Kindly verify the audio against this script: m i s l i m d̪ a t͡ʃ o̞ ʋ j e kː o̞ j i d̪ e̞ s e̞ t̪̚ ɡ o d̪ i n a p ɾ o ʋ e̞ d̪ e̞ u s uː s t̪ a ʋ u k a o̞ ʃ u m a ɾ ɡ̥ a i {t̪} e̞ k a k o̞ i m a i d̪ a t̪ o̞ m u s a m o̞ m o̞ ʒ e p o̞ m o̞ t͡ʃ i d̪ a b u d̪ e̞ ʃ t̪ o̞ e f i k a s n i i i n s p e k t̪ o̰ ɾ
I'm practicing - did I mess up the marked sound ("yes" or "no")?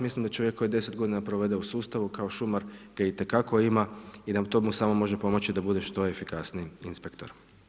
no